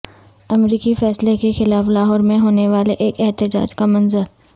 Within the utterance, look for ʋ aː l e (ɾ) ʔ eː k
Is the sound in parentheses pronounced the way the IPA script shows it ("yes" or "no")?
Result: no